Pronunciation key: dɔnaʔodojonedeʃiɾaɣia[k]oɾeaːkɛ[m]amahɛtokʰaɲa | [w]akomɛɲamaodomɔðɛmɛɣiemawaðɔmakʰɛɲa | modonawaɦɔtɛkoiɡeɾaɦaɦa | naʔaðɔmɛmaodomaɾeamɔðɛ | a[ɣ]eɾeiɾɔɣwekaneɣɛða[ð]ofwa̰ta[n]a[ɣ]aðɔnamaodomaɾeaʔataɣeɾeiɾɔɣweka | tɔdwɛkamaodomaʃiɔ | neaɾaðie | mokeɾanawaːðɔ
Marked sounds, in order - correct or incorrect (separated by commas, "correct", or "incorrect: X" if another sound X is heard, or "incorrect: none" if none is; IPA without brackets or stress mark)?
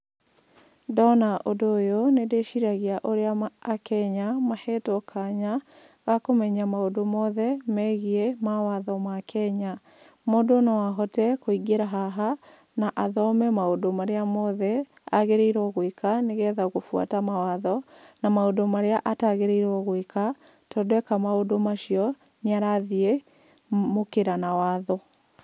incorrect: ʔ, incorrect: ɲ, incorrect: ɣ, correct, incorrect: ɣ, incorrect: m, incorrect: w